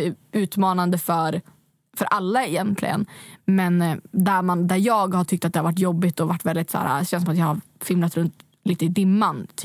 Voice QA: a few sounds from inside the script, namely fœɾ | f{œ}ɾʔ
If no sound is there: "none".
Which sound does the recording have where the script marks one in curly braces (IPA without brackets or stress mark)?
œ